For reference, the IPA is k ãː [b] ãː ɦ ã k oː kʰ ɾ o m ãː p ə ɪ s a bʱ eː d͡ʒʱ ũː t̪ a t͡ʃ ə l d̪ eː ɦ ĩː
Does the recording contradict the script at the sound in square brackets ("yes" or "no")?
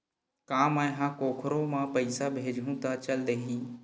yes